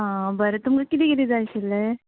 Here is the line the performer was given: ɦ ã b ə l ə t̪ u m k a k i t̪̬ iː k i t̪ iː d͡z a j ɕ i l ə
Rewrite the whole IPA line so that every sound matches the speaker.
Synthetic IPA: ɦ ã b ə ɾ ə t̪ u m k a k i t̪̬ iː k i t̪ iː d͡z a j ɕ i l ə